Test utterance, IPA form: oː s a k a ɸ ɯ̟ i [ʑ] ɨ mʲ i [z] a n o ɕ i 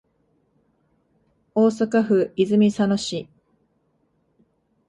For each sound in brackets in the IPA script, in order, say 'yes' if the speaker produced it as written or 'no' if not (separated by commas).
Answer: no, no